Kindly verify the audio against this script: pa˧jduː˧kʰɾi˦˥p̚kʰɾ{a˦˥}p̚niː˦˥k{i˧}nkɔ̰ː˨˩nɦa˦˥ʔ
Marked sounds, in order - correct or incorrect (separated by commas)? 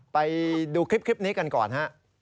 incorrect, incorrect